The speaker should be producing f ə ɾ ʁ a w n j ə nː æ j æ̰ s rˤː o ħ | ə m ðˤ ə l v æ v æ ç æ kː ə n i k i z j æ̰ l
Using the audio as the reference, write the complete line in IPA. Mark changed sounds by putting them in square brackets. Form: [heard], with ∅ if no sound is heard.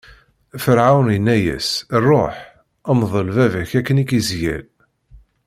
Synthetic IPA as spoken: f ə ɾ [ʕ] a w n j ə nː æ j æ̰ s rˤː o ħ | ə m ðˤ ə l v æ v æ ç æ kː ə n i k i z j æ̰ l